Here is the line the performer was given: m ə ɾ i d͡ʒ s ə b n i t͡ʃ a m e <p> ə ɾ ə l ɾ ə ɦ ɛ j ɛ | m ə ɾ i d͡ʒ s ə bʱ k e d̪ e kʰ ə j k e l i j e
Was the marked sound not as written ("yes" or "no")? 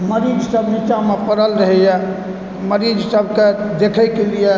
no